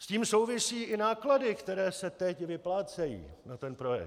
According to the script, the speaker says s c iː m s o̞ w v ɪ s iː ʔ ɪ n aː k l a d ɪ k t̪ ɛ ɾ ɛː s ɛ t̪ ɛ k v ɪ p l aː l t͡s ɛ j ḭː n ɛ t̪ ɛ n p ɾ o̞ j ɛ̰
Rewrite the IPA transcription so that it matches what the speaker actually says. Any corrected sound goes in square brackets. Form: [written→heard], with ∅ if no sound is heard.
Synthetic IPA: s c iː m s o̞ w v ɪ s iː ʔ ɪ n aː k l a d ɪ k t̪ ɛ ɾ ɛː s ɛ t̪ ɛ [k→c] v ɪ p l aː [l→∅] t͡s ɛ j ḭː n [ɛ→a] t̪ ɛ n p ɾ o̞ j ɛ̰